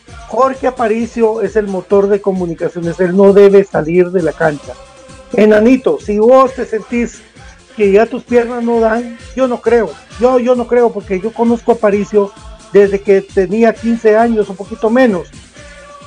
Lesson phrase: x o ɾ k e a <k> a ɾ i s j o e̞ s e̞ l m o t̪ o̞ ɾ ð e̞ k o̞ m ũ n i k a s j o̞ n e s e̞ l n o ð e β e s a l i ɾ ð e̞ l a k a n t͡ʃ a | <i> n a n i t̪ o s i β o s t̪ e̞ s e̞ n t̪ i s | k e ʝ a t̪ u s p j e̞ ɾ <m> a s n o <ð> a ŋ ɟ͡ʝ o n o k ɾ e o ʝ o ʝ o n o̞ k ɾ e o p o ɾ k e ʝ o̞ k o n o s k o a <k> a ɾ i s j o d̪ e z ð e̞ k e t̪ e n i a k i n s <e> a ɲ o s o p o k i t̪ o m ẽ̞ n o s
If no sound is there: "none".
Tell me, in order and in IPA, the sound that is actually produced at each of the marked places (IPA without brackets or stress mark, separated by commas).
p, e, n, ð, p, e